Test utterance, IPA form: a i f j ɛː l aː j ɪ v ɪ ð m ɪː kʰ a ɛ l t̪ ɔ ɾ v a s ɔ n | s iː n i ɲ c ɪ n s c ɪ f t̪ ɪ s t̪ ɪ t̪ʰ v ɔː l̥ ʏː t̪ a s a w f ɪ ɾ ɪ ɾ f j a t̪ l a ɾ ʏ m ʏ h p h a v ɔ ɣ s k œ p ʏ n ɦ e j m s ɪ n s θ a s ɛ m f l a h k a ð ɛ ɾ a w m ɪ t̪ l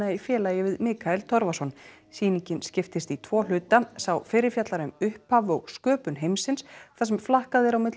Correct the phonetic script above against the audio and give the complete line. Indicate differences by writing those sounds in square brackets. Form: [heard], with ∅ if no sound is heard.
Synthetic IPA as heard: a i f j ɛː l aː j ɪ v ɪ ð m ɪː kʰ a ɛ l [t̪ʰ] ɔ ɾ v a s ɔ n | s iː n i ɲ c ɪ n s c ɪ f t̪ ɪ s t̪ [i] t̪ʰ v ɔː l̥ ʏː t̪ a s a w f ɪ ɾ ɪ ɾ f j a t̪ l a ɾ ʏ m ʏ h p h a v ɔ ɣ s k [œː] p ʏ n ɦ e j m s ɪ n s θ a s ɛ m f l a h k a ð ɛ ɾ a w m ɪ t̪ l